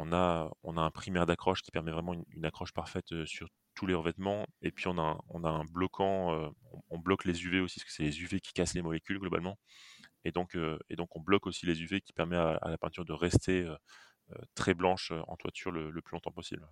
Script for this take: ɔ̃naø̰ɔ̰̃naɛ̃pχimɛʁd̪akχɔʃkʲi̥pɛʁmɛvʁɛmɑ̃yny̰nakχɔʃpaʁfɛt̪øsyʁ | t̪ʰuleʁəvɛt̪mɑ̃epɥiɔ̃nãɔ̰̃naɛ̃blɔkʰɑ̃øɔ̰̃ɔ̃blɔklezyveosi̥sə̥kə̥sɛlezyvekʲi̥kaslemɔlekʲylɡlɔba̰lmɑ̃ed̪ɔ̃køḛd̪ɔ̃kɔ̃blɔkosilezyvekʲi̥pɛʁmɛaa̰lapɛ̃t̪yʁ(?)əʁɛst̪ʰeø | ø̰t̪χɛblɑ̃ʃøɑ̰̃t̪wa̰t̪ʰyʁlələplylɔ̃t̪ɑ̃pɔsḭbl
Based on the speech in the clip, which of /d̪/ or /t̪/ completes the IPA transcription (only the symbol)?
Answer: d̪